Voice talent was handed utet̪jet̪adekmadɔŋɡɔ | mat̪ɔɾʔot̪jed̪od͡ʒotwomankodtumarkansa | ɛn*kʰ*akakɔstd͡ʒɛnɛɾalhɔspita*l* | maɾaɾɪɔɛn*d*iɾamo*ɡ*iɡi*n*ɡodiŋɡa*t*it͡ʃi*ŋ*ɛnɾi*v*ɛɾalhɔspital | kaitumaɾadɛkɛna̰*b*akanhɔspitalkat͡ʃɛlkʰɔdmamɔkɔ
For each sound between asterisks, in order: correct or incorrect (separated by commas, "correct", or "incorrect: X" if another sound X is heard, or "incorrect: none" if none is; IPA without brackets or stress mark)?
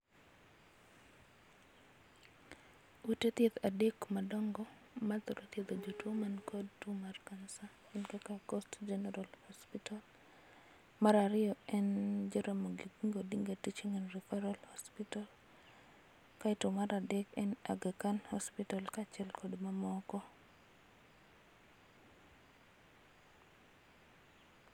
incorrect: k, correct, incorrect: d͡ʒ, correct, incorrect: ŋ, correct, correct, incorrect: f, incorrect: ɡ